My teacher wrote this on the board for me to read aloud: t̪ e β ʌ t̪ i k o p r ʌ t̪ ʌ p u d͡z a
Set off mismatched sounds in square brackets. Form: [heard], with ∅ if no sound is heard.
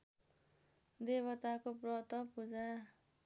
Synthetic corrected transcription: [d̪] e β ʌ t̪ [a] k o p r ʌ t̪ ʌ p u d͡z a